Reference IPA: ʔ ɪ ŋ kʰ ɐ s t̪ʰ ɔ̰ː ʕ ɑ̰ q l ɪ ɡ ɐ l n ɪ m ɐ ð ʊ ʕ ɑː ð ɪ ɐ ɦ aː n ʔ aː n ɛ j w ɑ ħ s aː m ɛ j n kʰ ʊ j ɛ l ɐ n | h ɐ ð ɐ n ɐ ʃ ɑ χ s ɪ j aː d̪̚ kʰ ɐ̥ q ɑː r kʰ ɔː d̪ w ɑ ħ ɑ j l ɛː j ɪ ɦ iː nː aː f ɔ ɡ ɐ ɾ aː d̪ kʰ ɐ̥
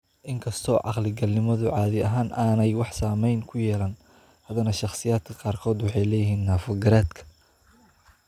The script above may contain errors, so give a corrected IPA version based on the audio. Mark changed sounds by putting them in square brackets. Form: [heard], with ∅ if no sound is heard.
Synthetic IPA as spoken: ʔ ɪ ŋ kʰ ɐ s t̪ʰ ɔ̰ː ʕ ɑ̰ q l ɪ ɡ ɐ l n ɪ m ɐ ð ʊ ʕ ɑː ð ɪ ɐ ɦ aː n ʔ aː n ɛ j w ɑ ħ s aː m ɛ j n kʰ ʊ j [ɛː] l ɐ n | h ɐ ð ɐ n ɐ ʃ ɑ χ s ɪ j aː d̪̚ kʰ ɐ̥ q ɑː r kʰ ɔː d̪ w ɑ ħ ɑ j l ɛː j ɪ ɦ iː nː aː f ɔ ɡ ɐ ɾ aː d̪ kʰ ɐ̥